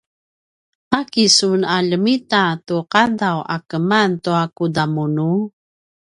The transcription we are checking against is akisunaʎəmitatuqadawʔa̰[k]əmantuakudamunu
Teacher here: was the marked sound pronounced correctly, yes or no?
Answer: yes